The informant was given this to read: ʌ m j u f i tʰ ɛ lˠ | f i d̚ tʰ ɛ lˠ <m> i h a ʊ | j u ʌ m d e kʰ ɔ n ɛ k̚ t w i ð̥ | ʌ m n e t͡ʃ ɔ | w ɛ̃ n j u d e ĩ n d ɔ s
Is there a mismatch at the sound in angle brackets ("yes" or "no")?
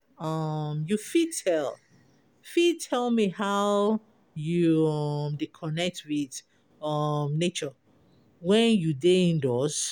no